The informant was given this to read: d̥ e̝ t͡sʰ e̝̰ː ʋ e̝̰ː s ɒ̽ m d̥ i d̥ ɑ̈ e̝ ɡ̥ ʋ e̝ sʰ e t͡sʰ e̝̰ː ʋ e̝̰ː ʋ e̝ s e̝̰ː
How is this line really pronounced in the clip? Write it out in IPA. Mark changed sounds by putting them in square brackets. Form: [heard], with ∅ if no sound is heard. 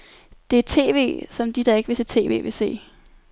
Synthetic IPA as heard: d̥ e̝ t͡sʰ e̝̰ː ʋ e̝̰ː s ɒ̽ m d̥ i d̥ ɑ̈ e̝ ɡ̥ ʋ e̝ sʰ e t͡sʰ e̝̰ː ʋ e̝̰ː ʋ e̝ s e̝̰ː